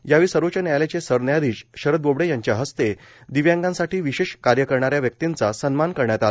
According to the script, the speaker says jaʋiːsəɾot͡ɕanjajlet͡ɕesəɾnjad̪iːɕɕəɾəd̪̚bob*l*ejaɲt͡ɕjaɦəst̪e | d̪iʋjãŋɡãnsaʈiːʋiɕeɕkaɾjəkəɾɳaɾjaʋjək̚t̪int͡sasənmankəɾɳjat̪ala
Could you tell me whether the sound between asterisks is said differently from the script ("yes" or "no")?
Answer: yes